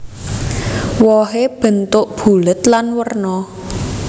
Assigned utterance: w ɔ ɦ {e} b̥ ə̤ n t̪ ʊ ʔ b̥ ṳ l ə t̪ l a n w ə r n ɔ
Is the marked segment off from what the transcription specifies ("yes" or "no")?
no